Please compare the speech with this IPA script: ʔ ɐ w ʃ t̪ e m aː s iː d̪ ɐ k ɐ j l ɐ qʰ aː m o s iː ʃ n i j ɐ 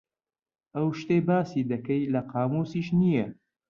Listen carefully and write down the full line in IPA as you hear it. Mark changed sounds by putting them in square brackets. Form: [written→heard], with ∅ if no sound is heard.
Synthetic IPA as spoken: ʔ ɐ w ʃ t̪ e [m→b] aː s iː d̪ ɐ k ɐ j l ɐ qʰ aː m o s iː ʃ n i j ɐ